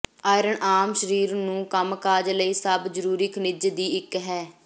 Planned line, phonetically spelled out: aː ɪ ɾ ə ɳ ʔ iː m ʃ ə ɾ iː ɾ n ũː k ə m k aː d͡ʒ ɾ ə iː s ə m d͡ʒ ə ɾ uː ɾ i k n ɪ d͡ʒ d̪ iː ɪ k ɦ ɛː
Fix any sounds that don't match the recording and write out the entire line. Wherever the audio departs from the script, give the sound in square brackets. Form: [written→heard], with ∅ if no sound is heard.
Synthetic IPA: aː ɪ ɾ ə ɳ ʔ [iː→aː] m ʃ ə ɾ iː ɾ n ũː k ə m k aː d͡ʒ [ɾ→l] ə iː s ə [m→b] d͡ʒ ə ɾ uː ɾ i k n ɪ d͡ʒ d̪ iː ɪ k ɦ ɛː